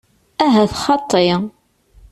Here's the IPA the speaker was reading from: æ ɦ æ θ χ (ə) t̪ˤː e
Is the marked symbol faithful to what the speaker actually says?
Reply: no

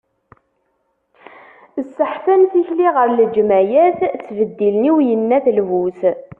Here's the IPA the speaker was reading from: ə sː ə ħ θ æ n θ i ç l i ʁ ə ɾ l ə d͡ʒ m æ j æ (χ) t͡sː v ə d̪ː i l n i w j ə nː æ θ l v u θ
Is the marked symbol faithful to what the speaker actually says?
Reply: no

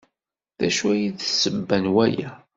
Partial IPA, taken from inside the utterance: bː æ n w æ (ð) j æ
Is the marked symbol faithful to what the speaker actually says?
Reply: no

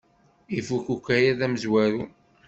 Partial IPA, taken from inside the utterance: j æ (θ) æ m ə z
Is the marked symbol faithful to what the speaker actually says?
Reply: no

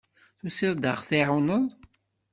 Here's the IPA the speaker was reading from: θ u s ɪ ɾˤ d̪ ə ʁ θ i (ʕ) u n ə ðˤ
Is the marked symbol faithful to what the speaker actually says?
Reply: yes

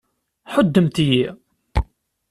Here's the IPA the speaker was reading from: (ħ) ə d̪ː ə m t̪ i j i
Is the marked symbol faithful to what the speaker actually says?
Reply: yes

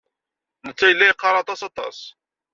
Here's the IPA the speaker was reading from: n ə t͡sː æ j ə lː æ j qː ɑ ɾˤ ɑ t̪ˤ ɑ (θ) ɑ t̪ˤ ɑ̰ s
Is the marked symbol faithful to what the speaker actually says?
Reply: no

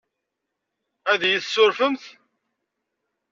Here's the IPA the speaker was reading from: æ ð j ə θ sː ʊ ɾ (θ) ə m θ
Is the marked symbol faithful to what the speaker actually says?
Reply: no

